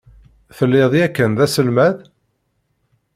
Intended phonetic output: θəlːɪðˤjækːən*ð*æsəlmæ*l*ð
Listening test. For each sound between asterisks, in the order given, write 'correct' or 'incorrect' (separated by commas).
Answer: correct, incorrect